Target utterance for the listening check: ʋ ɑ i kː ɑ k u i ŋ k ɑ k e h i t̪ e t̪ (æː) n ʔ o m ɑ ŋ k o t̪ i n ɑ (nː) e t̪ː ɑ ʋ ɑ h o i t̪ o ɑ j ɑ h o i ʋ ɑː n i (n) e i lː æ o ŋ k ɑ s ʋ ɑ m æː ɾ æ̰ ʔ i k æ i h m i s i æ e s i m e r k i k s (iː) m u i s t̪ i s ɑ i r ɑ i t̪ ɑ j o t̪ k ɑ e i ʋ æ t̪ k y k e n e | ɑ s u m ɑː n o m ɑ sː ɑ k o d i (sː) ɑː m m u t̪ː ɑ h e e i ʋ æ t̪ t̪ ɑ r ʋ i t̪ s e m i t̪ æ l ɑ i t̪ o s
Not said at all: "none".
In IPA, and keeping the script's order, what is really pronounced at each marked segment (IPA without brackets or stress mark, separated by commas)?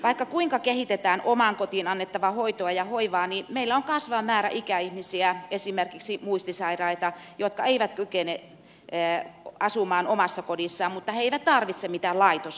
æː, nː, m, i, sː